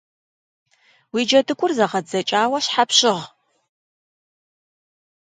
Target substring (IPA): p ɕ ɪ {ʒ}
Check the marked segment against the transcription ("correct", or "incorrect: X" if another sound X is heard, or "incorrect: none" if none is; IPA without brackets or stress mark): incorrect: ʁ